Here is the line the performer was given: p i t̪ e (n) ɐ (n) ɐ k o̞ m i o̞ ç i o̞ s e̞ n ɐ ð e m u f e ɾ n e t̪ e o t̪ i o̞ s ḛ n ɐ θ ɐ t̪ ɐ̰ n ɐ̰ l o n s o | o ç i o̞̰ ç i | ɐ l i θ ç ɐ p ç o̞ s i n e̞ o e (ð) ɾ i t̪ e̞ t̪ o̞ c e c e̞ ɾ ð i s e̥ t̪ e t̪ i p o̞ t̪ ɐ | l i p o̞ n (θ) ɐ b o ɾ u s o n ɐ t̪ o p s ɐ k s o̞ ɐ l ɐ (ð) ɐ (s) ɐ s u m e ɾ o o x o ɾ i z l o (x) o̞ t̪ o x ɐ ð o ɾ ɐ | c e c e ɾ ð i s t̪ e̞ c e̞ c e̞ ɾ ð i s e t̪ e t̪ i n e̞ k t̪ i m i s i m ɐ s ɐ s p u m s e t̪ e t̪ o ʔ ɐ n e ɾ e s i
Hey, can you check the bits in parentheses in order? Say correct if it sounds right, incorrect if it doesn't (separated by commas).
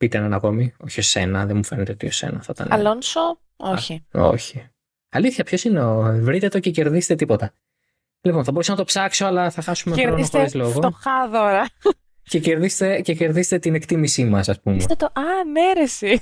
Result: correct, correct, incorrect, correct, incorrect, incorrect, incorrect